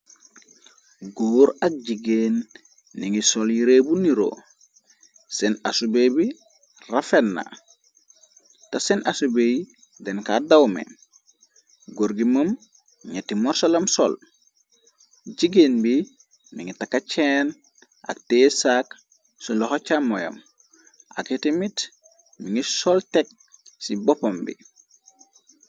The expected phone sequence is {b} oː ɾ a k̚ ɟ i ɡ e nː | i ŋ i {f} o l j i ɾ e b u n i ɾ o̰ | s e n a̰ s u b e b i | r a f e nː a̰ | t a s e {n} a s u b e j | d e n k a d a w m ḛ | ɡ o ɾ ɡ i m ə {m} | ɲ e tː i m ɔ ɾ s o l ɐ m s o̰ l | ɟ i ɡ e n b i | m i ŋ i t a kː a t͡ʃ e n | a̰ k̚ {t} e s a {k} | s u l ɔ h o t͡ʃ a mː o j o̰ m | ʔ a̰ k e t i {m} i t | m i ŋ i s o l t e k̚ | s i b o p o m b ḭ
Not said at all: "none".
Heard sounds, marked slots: ɡ, s, n, m, t, k, m

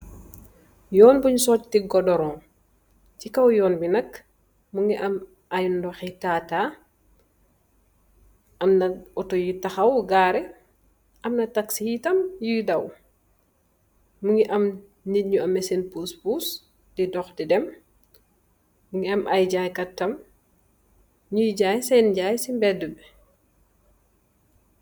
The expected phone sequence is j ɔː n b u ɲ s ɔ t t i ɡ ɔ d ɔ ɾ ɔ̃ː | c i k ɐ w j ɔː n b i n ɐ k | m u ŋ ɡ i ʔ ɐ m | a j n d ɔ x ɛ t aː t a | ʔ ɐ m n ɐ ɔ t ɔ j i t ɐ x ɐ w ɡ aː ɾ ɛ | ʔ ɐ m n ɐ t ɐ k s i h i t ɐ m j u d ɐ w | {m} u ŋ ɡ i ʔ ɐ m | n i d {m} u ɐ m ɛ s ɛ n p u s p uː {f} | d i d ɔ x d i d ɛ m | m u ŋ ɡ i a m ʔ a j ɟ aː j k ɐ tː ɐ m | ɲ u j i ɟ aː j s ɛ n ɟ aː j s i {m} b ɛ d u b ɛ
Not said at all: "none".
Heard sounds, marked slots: m, ɲ, s, m

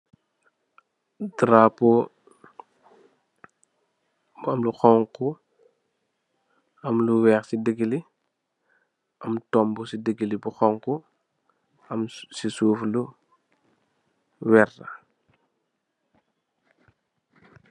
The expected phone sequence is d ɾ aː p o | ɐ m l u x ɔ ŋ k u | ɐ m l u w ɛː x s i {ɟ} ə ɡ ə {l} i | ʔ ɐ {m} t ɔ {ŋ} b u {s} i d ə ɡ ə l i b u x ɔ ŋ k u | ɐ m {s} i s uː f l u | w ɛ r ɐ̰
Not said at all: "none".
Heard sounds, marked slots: d, l, m, m, s, s

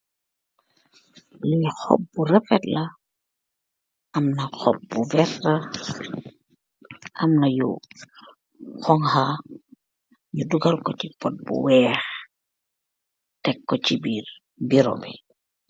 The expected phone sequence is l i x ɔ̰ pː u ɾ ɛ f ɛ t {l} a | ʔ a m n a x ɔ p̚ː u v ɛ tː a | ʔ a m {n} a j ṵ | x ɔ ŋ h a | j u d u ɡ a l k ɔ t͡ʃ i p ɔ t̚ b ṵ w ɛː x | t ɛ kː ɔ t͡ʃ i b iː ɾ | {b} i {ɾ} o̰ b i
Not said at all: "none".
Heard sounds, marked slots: l, n, b, ɾ

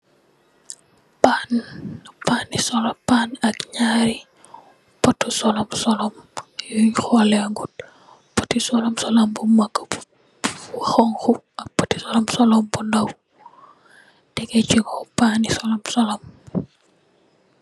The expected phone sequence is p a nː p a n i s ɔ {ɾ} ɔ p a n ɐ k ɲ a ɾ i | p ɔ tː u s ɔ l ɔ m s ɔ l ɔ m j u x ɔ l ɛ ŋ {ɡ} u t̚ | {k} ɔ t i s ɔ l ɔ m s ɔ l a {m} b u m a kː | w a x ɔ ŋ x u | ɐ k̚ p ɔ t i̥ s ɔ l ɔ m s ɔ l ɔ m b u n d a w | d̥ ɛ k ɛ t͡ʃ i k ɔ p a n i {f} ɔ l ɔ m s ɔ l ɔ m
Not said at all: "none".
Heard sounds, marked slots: l, ɡ, p, m, s

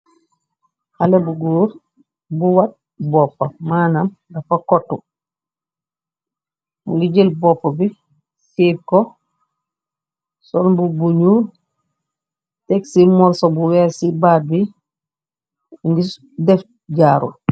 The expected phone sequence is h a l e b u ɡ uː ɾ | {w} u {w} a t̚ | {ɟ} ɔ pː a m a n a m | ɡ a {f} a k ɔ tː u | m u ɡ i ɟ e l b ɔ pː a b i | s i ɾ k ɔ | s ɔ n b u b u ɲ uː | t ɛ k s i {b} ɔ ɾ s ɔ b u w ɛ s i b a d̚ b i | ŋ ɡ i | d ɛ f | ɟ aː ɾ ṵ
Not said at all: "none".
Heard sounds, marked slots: b, w, b, f, m

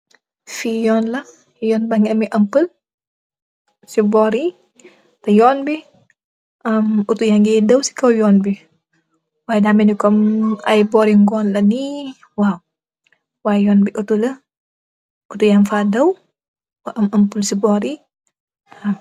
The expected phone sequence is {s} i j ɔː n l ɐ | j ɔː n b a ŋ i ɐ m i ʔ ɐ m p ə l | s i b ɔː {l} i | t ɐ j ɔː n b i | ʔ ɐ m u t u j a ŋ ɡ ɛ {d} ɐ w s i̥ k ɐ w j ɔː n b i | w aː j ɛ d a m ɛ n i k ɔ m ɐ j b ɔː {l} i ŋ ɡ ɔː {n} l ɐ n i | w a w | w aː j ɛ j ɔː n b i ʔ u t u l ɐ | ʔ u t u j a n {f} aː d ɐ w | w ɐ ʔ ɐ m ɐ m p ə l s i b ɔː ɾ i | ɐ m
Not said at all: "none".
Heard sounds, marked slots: f, ɾ, d, ɾ, n, f

